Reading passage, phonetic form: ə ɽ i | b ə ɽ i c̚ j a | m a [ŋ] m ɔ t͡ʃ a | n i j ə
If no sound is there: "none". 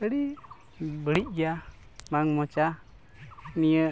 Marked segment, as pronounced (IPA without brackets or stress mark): ŋ